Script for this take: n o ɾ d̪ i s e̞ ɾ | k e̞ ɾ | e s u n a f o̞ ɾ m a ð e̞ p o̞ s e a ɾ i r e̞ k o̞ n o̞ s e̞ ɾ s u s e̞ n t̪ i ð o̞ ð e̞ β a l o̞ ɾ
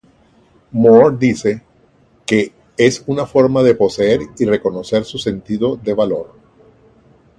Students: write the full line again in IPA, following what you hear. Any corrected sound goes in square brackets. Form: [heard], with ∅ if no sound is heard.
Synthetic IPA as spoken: [m] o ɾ d̪ i s e̞ [∅] | k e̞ [∅] | e s u n a f o̞ ɾ m a ð e̞ p o̞ s e [e] ɾ i r e̞ k o̞ n o̞ s e̞ ɾ s u s e̞ n t̪ i ð o̞ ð e̞ β a l o̞ ɾ